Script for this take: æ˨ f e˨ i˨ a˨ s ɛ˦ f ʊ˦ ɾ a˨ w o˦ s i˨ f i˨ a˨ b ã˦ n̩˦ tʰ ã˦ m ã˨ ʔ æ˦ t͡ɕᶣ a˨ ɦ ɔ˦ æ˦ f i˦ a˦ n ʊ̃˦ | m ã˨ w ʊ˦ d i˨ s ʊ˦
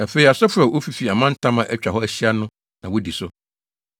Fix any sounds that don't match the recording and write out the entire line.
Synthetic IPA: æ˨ f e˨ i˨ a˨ s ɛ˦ f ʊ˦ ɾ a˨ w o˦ f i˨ f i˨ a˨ m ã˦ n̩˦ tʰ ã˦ m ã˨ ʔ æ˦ t͡ɕᶣ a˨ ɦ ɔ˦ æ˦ ɕ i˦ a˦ n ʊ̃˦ | n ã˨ w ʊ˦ d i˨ s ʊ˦